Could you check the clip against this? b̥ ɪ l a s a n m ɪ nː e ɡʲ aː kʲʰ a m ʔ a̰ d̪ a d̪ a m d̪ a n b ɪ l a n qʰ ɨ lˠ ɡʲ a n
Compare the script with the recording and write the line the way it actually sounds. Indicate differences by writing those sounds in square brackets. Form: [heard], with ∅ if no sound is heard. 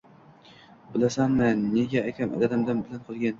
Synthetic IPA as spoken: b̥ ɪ l a s a n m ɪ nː e ɡʲ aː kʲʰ a m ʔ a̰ d̪ a d̪ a m d̪ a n b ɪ l a n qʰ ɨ lˠ ɡʲ a n